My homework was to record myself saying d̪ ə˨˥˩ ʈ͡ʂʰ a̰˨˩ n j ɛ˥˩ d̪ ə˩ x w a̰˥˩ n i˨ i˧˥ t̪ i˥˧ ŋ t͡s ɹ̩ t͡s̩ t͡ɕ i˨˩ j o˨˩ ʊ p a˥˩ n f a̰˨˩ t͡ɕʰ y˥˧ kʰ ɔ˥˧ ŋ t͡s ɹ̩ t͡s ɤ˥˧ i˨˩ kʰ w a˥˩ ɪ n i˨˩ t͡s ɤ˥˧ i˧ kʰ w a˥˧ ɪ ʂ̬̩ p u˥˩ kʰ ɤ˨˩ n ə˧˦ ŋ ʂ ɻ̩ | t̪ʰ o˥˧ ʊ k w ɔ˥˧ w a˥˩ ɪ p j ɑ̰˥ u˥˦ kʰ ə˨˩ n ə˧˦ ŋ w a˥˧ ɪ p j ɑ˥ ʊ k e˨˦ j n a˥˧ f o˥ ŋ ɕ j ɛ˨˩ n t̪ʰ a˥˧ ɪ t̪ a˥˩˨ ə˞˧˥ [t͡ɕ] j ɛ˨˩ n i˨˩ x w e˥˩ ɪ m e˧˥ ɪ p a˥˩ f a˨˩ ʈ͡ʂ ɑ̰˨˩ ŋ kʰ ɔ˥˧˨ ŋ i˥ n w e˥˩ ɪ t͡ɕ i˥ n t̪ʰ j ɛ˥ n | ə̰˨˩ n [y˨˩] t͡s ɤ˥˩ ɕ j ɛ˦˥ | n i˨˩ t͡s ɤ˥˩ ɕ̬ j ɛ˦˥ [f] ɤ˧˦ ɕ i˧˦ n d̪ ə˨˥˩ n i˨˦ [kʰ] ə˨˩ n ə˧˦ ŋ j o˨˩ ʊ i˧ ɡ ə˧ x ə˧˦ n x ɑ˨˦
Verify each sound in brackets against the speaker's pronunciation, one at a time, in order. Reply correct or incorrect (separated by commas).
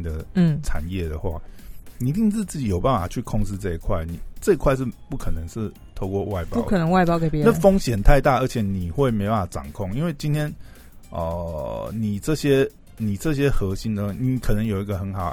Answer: incorrect, incorrect, incorrect, correct